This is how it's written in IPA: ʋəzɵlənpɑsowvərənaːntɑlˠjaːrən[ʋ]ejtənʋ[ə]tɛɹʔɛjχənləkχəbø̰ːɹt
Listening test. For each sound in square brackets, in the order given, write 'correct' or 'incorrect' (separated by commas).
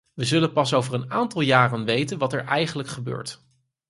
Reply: correct, incorrect